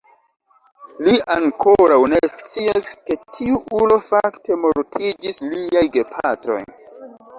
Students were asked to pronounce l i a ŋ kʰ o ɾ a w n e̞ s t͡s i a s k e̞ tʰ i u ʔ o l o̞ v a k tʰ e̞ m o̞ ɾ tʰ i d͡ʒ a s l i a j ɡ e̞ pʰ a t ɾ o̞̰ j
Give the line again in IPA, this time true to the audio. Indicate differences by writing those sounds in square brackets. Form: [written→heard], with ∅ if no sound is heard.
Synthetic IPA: l i a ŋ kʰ o ɾ a w n e̞ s t͡s i a s k e̞ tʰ i u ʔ [o→u] l o̞ [v→f] a k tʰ e̞ m o̞ ɾ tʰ i d͡ʒ [a→i] s l i a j ɡ e̞ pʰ a t ɾ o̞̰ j